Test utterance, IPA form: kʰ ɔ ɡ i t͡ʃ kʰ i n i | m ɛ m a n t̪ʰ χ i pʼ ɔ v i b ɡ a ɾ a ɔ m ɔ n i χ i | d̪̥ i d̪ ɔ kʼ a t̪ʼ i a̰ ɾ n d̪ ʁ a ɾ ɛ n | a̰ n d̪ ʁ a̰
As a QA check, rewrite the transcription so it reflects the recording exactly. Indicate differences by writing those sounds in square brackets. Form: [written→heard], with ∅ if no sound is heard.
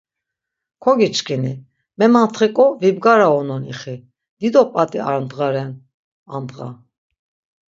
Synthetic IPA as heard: kʰ ɔ ɡ i t͡ʃ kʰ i n i | m ɛ m a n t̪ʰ χ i [pʼ→kʼ] ɔ v i b ɡ a ɾ a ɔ [m→n] ɔ n i χ i | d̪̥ i d̪ ɔ [kʼ→pʼ] a t̪ʼ i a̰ ɾ n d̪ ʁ a ɾ ɛ n | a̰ n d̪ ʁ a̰

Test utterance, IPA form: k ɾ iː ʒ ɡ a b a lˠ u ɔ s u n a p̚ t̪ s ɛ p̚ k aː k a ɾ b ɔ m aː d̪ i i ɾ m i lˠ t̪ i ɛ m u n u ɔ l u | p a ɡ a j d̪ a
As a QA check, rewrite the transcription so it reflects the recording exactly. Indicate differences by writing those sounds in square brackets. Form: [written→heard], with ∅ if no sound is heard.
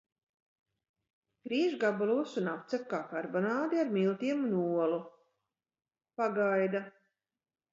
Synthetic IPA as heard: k ɾ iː ʒ ɡ a b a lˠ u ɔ s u n a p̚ t̪ s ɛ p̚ k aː k a ɾ b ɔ [m→n] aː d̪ i [i→a] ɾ m i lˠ t̪ i ɛ m u n u ɔ l u | p a ɡ a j d̪ a

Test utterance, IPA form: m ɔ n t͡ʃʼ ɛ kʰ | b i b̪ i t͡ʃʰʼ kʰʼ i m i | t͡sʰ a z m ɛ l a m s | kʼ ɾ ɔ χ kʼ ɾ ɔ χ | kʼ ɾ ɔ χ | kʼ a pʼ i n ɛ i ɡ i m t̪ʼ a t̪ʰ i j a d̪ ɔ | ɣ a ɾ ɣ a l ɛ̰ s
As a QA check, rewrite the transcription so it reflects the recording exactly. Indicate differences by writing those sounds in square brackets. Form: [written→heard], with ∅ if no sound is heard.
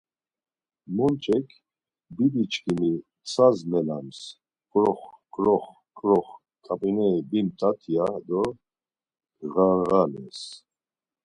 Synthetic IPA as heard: m ɔ n t͡ʃʼ ɛ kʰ | b i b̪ i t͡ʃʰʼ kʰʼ i m i | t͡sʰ a z m ɛ l a m s | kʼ ɾ ɔ χ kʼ ɾ ɔ χ | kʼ ɾ ɔ χ | kʼ a pʼ i n ɛ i [ɡ→b] i m t̪ʼ a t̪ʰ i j a d̪ ɔ | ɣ a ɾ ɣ a l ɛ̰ s

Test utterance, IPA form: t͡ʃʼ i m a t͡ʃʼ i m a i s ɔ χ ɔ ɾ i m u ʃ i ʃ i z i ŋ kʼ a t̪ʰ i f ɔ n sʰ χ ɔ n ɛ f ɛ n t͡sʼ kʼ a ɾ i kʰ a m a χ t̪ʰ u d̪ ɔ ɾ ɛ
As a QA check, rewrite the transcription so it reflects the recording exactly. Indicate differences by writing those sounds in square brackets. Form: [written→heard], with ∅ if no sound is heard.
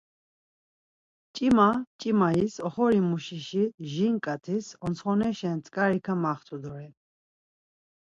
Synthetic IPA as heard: t͡ʃʼ i m a t͡ʃʼ i m a i s ɔ χ ɔ ɾ i m u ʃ i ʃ i [z→ʒ] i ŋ kʼ a t̪ʰ i [f→s] ɔ n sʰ χ ɔ n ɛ [f→ʃ] ɛ n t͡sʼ kʼ a ɾ i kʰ a m a χ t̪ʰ u d̪ ɔ ɾ ɛ

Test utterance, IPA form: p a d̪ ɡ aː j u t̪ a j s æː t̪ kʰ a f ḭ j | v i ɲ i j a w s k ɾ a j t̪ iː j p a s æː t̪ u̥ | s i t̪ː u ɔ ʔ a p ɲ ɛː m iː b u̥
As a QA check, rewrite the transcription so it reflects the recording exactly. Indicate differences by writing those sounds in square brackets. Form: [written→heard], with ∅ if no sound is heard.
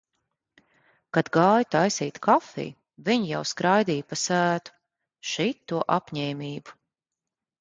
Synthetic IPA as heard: [p→k] a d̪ ɡ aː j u t̪ a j s [æː→iː] t̪ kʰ a f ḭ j | v i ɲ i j a w s k ɾ a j [t̪→d̪] iː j p a s æː t̪ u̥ | [s→ʃ] i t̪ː u ɔ ʔ a p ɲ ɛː m iː b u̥

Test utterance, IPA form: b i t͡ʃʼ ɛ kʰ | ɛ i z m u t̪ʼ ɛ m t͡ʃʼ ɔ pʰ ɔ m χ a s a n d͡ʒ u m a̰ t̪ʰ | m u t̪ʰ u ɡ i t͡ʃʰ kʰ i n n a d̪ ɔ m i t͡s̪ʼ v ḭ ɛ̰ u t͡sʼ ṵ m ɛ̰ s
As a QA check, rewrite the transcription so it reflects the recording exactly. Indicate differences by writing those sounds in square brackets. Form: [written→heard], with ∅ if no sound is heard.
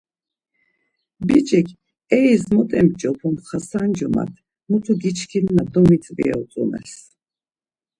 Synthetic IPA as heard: b i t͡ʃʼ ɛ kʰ | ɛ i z m [u→ɔ] t̪ʼ ɛ m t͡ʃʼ ɔ pʰ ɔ m χ a s a n d͡ʒ [u→ɔ] m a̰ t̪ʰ | m u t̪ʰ u ɡ i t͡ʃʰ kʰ i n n a d̪ ɔ m i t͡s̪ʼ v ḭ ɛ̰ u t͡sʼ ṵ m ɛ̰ s

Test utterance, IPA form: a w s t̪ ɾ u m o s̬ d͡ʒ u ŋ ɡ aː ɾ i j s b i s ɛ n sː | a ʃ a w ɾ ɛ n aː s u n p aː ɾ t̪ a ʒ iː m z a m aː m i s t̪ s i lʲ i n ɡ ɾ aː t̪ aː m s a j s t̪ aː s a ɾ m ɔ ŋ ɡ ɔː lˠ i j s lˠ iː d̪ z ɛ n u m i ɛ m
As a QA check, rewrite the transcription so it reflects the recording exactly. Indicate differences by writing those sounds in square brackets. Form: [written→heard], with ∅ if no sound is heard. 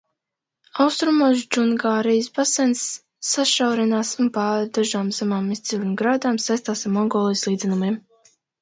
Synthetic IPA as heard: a w s t̪ ɾ u m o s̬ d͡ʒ u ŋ ɡ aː ɾ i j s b [i→a] s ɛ n sː | a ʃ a w ɾ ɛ n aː s u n p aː ɾ [t̪→d̪] a ʒ [iː→aː] m z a m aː m i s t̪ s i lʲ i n ɡ ɾ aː [t̪→d̪] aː m s a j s t̪ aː s a ɾ m ɔ ŋ ɡ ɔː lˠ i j s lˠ iː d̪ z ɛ n u m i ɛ m

